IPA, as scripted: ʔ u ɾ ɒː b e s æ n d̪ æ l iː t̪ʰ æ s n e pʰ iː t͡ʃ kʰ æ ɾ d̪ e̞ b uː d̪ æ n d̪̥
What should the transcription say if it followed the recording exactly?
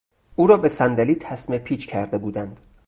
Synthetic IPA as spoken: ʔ uː ɾ ɒː b e s æ n d̪ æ l iː t̪ʰ æ s m e pʰ iː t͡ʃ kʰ æ ɾ d̪ e̞ b uː d̪ æ n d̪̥